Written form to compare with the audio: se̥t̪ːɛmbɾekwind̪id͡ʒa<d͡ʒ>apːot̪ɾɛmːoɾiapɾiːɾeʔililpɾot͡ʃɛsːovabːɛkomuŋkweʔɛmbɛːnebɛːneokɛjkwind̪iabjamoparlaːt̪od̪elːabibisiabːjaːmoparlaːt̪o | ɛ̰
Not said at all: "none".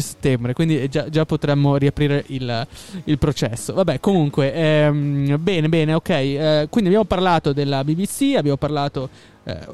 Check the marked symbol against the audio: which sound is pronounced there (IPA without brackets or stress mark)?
d͡ʒ